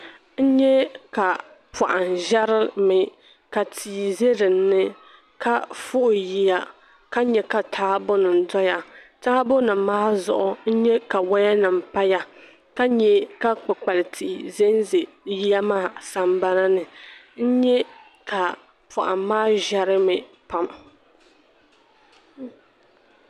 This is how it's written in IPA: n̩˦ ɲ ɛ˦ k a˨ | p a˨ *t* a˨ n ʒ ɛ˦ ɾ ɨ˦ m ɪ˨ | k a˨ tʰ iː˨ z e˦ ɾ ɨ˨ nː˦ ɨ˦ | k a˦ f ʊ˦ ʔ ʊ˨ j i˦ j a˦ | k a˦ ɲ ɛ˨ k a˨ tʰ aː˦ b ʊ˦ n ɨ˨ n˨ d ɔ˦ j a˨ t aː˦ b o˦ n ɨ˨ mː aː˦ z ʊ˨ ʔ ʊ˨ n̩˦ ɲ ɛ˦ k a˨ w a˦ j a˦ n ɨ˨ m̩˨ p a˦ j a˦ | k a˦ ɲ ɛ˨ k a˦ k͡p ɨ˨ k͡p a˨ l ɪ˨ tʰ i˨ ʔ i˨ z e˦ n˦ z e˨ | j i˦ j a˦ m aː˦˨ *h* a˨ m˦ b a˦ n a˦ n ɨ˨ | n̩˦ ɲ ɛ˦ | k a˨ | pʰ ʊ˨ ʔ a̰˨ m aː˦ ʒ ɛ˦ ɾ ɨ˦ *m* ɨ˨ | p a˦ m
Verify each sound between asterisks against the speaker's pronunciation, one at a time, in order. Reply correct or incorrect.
incorrect, incorrect, correct

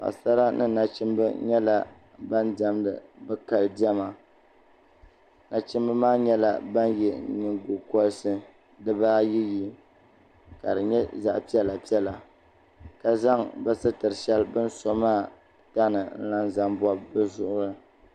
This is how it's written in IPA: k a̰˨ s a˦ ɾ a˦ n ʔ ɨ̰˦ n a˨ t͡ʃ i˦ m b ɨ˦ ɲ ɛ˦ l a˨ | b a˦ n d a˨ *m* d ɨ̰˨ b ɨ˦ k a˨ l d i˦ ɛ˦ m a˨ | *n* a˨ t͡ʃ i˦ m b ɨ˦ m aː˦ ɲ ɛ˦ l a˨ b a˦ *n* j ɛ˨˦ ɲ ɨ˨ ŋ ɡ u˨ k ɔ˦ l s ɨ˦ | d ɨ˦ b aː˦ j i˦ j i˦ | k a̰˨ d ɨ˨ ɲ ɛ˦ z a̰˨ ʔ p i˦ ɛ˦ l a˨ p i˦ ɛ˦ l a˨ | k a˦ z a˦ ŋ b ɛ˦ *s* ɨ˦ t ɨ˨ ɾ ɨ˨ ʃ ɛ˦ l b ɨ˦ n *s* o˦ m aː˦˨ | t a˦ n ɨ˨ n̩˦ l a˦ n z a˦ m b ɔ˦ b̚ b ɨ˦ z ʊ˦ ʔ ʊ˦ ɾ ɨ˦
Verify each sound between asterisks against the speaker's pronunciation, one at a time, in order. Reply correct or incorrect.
correct, correct, correct, correct, correct

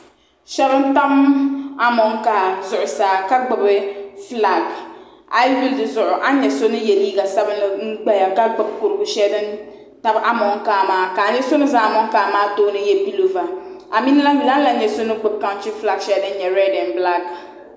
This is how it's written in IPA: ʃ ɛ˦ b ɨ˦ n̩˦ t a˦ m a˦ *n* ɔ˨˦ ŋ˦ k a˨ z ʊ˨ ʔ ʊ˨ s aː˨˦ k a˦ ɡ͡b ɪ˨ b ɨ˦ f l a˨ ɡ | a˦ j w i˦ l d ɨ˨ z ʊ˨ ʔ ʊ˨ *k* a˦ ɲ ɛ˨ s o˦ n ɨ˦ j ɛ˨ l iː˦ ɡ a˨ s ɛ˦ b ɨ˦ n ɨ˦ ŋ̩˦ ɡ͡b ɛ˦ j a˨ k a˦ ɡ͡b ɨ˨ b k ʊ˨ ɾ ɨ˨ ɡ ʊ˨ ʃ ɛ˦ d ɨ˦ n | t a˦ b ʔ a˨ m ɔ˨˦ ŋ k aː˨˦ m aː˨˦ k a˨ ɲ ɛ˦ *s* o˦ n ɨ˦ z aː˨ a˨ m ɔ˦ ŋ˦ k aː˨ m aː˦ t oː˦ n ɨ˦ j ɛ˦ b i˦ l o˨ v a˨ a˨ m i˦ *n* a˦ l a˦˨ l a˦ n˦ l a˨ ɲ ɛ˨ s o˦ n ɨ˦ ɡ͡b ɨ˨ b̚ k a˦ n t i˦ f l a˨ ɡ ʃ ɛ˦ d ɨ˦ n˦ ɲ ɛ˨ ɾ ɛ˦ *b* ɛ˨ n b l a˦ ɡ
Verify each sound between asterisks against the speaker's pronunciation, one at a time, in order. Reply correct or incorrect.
incorrect, incorrect, correct, correct, incorrect

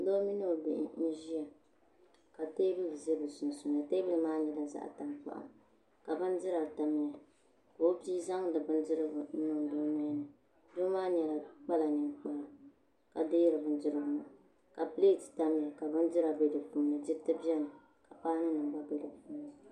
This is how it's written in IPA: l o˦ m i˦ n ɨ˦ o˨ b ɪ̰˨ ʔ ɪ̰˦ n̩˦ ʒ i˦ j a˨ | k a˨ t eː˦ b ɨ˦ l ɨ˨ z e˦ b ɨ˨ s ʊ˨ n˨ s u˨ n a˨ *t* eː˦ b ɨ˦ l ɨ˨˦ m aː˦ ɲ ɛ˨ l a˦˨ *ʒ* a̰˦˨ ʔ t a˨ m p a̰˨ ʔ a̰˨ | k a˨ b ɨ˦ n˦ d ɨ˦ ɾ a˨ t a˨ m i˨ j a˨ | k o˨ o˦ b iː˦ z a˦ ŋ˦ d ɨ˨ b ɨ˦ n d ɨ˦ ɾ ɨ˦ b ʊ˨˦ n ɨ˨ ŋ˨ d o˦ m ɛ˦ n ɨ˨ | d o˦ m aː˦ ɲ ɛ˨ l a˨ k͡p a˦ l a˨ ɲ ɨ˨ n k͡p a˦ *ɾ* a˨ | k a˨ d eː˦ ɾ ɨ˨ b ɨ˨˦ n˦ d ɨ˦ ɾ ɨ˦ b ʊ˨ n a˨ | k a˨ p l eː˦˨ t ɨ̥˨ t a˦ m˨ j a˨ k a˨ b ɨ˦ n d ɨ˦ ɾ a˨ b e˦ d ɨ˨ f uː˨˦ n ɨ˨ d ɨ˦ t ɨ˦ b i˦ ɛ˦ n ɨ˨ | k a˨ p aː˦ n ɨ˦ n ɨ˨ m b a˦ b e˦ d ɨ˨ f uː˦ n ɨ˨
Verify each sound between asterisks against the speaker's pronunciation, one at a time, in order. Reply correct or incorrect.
correct, incorrect, incorrect

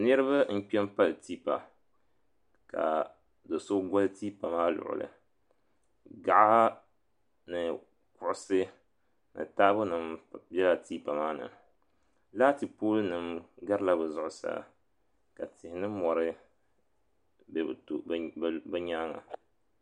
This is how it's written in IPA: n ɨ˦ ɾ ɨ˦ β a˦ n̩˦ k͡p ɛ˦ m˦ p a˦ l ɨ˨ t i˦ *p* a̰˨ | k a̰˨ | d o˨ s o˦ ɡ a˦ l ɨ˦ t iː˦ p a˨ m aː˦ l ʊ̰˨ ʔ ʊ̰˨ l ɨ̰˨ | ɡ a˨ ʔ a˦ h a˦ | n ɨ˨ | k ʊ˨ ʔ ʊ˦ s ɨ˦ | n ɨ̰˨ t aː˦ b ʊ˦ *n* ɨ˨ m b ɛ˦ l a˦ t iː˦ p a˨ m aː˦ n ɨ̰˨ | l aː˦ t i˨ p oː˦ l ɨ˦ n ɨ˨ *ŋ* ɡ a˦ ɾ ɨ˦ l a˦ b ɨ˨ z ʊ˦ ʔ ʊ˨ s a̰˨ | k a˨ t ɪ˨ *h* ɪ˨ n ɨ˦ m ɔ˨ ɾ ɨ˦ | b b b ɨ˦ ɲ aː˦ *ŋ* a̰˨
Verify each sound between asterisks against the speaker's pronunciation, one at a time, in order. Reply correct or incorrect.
correct, correct, incorrect, correct, correct

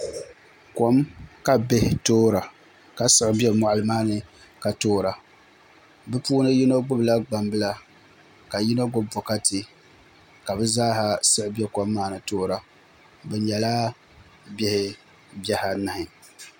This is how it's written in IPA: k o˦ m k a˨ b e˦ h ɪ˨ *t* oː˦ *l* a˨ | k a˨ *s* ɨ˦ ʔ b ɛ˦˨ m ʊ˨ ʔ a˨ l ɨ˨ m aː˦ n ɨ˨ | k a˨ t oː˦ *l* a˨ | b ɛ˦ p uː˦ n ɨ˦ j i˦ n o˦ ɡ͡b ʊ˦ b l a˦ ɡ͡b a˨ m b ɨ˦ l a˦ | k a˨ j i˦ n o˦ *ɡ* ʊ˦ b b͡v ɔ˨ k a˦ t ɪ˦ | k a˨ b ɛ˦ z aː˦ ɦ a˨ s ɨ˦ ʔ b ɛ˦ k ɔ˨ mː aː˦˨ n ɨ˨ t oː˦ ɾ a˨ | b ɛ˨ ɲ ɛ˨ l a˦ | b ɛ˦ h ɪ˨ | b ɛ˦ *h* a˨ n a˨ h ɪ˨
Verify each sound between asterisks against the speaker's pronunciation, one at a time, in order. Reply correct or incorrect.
correct, incorrect, correct, incorrect, correct, correct

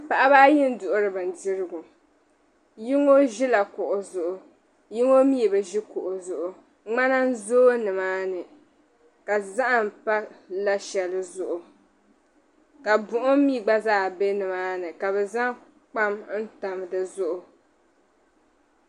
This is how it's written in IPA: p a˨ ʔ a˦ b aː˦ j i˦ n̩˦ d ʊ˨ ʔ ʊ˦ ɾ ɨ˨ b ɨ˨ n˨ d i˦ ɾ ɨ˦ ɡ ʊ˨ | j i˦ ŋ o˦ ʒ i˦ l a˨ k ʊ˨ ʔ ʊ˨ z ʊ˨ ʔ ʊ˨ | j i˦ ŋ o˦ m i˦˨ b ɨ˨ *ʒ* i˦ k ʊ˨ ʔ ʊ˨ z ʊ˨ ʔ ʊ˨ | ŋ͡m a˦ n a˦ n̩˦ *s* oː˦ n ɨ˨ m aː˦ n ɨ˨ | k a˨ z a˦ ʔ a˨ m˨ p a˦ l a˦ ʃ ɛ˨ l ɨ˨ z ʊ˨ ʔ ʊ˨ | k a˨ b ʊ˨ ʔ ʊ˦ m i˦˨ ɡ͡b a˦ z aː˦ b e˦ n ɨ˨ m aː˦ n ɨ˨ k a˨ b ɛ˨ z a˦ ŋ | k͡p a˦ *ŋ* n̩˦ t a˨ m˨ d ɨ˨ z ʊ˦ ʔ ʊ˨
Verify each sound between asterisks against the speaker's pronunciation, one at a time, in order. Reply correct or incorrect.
correct, incorrect, incorrect

